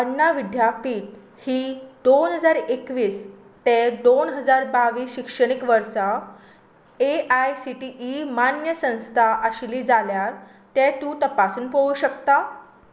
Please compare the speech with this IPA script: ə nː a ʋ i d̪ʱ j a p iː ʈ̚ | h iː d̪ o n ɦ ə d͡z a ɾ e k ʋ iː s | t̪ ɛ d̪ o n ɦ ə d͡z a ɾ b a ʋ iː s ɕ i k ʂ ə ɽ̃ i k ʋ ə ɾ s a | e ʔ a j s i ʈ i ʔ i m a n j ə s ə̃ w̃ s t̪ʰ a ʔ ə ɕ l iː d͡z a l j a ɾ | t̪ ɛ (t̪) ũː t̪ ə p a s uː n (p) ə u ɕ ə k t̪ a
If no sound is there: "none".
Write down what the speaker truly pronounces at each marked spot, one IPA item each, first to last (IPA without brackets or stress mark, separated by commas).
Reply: t̪, p